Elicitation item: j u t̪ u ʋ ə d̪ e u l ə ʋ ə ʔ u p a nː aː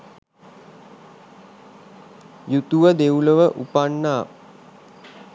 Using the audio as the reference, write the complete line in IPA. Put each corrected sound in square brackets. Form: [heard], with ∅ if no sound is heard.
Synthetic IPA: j u t̪ u ʋ ə d̪ e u l ə ʋ ə ʔ u p a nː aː